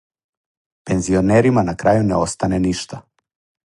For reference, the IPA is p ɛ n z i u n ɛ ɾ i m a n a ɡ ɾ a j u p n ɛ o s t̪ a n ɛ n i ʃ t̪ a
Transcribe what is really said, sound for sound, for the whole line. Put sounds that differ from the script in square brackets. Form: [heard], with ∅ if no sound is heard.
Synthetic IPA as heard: p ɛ n z i [o] n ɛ ɾ i m a n a [k] ɾ a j u [∅] n ɛ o s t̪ a n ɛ n i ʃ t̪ a